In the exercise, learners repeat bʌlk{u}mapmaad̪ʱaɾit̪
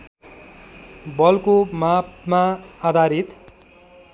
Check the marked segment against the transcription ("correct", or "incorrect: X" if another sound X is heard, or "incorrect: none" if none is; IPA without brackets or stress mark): incorrect: o